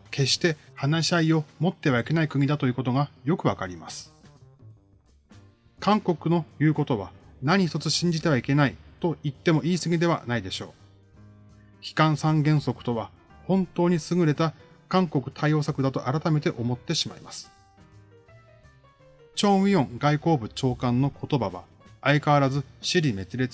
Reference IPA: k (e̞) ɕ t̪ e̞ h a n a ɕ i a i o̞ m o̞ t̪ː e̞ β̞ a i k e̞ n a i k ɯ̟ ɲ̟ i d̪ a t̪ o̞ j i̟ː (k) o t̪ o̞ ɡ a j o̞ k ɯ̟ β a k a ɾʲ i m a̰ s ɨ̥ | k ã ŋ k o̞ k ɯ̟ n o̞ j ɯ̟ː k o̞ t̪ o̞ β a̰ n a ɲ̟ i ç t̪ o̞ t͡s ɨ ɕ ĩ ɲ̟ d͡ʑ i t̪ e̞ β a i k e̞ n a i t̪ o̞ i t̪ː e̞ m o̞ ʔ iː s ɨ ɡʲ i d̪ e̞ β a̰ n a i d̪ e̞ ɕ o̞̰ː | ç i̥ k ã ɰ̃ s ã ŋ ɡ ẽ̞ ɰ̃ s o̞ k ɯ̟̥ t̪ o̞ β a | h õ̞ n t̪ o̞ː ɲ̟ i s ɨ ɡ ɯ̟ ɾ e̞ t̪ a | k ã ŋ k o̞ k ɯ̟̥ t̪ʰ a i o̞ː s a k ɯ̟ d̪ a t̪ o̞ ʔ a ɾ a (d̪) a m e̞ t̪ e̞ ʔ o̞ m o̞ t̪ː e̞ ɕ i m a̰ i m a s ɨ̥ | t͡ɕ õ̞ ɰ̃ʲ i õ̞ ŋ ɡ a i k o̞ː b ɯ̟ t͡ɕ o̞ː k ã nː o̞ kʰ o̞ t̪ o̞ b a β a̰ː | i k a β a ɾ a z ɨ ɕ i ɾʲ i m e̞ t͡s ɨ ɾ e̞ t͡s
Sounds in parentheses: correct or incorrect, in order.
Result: correct, correct, incorrect: t̪

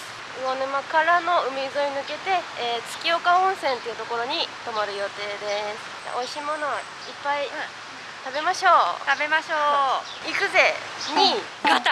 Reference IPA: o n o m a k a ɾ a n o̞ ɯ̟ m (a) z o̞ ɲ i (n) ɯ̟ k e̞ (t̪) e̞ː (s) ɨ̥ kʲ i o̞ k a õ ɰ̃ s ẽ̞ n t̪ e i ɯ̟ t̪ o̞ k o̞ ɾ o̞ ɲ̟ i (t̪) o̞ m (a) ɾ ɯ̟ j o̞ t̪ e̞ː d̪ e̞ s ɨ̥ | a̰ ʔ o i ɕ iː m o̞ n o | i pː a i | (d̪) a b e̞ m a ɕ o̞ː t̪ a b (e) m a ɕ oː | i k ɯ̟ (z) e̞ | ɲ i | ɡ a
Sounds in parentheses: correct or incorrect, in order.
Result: incorrect: i, correct, correct, incorrect: t͡s, correct, correct, incorrect: t̪, correct, correct

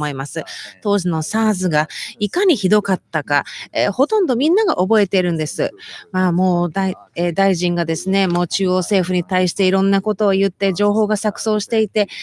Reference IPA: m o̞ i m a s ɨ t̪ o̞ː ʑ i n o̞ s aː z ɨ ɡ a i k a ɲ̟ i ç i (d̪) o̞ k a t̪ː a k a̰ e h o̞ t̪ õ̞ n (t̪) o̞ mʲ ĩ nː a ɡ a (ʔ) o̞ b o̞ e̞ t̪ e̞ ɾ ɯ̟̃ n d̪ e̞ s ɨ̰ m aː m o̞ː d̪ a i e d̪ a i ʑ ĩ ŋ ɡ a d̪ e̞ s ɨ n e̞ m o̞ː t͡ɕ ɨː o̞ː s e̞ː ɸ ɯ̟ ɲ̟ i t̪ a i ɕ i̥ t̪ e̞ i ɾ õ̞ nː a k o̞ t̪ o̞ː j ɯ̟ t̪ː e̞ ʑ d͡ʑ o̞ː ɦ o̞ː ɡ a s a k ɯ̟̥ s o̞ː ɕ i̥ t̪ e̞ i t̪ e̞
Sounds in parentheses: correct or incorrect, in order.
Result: correct, incorrect: d̪, correct

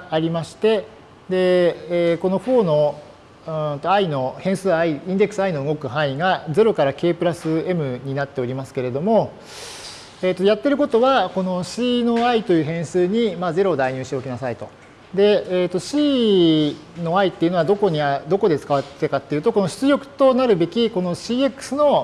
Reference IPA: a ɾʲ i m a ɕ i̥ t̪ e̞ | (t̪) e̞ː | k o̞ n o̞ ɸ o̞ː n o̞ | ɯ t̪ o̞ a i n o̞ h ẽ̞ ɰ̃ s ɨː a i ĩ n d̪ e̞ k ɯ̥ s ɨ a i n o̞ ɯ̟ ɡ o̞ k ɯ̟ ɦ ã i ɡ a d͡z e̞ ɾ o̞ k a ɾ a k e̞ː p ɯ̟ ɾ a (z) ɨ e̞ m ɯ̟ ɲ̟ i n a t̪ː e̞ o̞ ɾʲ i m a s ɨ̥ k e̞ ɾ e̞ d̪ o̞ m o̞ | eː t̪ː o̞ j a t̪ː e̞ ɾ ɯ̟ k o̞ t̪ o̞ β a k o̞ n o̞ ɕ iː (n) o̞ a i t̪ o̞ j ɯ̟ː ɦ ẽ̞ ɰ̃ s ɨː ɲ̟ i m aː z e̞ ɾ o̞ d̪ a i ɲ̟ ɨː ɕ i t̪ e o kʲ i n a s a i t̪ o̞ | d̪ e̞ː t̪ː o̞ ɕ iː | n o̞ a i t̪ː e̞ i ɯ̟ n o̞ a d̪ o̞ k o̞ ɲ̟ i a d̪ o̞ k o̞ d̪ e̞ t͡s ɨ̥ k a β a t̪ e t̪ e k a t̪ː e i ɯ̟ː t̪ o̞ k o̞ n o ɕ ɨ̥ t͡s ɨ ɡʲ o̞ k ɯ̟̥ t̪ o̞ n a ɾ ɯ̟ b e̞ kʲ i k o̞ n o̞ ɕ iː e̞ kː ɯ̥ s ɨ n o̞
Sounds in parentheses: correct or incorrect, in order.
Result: incorrect: d̪, incorrect: s, correct

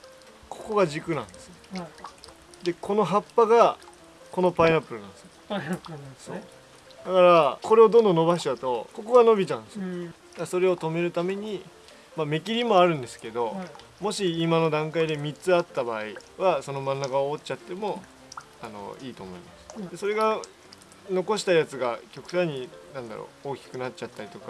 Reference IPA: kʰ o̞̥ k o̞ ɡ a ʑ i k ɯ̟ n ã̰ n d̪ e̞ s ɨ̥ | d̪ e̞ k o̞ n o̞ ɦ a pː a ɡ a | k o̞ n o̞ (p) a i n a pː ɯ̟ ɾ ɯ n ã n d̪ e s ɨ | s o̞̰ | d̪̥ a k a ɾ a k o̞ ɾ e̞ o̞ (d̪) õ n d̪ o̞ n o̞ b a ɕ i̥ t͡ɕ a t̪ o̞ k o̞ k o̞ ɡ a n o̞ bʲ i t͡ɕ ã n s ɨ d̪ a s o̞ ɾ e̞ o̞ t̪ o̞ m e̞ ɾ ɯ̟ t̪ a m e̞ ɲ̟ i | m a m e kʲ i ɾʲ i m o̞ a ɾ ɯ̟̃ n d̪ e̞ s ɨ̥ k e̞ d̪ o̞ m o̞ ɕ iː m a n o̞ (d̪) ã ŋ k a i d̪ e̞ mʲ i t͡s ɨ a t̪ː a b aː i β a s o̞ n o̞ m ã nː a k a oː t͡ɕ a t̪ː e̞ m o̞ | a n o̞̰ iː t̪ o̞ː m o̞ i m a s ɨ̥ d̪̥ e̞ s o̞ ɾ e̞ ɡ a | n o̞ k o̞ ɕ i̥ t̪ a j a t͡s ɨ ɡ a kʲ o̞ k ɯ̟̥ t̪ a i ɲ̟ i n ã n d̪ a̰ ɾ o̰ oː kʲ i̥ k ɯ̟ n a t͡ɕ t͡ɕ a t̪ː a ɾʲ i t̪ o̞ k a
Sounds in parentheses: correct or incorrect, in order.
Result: correct, correct, correct

